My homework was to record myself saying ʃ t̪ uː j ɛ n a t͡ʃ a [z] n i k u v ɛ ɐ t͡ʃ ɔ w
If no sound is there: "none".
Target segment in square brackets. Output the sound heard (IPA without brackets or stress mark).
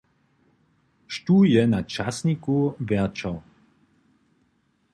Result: s